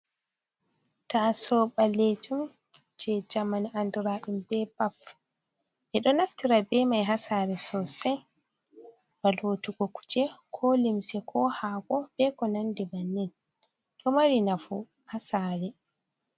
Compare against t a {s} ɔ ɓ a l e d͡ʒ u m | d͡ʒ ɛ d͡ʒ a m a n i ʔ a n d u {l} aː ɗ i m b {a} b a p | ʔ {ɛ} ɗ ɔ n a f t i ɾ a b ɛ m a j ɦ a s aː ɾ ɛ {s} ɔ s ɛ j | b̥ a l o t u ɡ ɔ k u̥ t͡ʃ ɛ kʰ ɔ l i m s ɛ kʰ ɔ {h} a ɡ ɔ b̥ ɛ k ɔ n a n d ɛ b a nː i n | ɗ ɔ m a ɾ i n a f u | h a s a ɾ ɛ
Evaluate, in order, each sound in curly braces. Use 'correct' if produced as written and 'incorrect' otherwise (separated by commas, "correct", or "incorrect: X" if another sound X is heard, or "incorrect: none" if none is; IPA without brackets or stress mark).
correct, incorrect: ɾ, incorrect: ɛ, correct, correct, correct